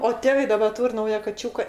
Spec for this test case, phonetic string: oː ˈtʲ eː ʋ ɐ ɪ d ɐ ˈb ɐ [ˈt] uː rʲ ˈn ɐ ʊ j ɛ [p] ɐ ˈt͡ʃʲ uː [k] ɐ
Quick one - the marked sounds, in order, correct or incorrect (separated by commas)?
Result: correct, incorrect, correct